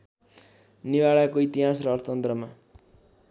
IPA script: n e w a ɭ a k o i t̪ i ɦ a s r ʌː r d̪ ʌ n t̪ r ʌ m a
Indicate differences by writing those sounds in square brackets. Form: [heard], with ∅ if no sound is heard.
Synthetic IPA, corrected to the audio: n [i] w a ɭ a k o i t̪ i ɦ a s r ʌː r [t̪] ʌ n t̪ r ʌ m a

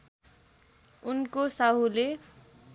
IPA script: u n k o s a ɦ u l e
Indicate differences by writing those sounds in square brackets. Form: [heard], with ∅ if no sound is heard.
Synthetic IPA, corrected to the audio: u n k o s a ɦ u l e

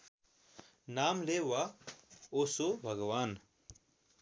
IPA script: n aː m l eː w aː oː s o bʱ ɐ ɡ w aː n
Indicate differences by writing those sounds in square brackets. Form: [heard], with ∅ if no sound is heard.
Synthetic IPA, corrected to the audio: n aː m l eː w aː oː s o bʱ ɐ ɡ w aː n

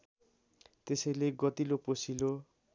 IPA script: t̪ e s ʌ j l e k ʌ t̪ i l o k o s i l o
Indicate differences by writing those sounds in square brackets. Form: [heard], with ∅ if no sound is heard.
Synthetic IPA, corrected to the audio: t̪ e s ʌ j l e [ɡ] ʌ t̪ i l o [p] o s i l o

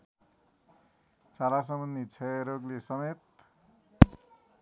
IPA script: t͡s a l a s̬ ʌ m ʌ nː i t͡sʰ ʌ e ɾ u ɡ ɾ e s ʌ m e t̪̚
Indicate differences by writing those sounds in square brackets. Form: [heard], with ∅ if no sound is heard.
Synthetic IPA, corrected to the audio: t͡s a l a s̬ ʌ m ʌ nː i t͡sʰ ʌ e ɾ [o] ɡ [l] e s ʌ m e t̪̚

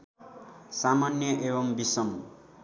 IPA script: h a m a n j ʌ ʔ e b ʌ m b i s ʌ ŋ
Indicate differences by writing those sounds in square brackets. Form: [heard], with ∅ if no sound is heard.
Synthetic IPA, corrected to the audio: [s] a m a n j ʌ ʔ e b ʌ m b i s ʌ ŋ

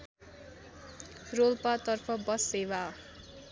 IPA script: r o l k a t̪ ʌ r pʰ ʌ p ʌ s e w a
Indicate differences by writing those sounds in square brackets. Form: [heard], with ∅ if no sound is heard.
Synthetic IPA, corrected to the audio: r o l [p] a t̪ ʌ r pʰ ʌ [b] ʌ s e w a

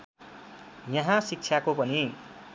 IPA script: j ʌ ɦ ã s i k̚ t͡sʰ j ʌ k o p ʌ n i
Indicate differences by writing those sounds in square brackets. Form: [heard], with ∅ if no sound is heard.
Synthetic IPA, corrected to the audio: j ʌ ɦ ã s i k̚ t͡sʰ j [a] k o p ʌ n i

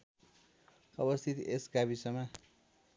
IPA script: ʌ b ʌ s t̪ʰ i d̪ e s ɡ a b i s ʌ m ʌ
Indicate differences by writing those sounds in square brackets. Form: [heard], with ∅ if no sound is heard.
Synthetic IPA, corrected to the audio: ʌ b ʌ s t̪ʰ i [t̪] e s ɡ a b i s ʌ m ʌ

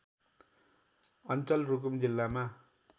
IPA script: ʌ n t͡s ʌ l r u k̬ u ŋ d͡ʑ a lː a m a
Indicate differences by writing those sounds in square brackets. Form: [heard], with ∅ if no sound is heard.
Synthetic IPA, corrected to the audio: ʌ n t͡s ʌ l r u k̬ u [m] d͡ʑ [i] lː a m a

